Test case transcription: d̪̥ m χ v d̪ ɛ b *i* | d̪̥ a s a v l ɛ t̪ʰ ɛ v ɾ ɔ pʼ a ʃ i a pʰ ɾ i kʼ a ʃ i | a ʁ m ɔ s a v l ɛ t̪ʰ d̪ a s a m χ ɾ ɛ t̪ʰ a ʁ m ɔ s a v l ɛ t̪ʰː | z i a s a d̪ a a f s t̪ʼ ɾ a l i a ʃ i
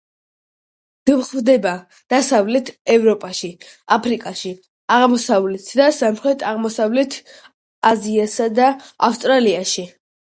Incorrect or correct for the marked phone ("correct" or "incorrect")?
incorrect